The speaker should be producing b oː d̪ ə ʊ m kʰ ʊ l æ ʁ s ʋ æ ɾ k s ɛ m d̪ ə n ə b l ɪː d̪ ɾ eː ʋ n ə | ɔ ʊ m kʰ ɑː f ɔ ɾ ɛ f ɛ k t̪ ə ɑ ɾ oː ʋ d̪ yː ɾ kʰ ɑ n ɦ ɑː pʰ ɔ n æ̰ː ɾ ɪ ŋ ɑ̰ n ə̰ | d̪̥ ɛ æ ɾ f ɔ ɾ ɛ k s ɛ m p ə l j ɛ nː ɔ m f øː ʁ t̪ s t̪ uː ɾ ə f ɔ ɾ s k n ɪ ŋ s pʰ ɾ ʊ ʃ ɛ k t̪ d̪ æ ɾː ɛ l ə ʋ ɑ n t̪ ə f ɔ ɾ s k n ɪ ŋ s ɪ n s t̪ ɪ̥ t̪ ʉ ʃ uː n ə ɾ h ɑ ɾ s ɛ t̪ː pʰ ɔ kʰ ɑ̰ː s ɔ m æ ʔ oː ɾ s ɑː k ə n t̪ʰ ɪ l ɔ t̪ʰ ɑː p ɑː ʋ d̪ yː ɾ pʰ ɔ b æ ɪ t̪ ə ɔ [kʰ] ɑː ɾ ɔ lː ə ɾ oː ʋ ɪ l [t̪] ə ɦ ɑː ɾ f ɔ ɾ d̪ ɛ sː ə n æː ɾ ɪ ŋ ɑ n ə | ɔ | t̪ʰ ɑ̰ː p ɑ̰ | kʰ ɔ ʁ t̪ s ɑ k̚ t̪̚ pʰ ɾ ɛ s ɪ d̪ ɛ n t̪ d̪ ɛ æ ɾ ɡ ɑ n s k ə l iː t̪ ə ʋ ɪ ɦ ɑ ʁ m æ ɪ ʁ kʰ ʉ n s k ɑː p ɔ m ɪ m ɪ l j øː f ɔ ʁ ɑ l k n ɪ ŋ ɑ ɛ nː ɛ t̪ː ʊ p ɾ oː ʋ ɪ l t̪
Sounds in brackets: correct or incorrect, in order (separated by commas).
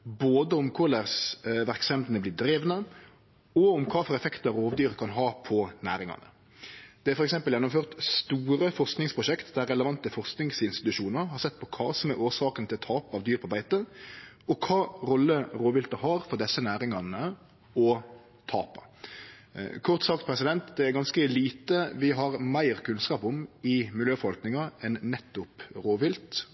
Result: correct, correct